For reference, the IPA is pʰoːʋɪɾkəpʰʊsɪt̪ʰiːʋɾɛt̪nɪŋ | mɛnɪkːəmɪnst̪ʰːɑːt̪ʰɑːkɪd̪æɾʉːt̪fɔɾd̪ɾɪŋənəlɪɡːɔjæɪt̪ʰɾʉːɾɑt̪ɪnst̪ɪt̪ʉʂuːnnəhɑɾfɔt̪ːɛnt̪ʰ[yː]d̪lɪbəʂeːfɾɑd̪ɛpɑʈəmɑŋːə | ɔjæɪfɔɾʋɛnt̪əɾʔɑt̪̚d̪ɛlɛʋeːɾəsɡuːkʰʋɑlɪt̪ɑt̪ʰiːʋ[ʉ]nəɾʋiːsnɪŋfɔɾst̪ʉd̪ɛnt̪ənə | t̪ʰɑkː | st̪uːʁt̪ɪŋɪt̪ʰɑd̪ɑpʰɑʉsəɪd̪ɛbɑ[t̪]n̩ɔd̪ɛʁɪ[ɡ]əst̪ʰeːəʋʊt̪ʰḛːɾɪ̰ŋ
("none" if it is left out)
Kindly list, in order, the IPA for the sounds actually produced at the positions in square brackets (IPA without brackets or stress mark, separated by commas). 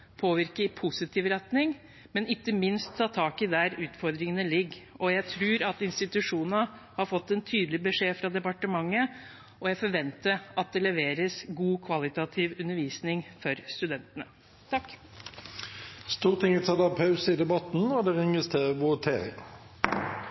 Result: yː, ʉ, t̪, ŋ